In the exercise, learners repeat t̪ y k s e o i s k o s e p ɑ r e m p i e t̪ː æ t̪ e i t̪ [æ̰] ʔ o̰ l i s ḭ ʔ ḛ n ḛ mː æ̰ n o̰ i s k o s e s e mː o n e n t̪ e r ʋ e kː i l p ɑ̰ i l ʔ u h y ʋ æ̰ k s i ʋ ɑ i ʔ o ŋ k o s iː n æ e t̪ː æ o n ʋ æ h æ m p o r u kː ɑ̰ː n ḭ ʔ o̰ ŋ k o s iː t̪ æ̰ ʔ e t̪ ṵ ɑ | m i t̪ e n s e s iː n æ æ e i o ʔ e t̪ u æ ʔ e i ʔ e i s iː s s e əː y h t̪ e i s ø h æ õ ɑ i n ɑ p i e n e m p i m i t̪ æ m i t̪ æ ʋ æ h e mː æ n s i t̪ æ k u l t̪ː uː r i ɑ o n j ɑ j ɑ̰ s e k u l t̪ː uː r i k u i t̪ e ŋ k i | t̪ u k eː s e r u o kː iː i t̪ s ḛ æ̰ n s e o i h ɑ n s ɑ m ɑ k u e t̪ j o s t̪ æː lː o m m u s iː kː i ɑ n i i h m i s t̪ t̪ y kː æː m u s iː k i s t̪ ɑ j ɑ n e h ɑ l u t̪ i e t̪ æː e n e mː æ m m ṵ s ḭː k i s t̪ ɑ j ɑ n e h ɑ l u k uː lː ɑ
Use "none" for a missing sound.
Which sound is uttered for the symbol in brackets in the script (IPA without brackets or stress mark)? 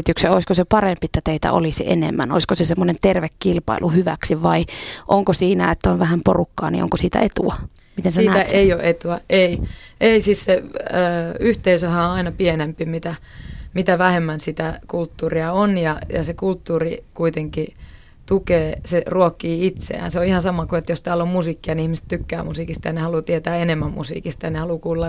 æ̰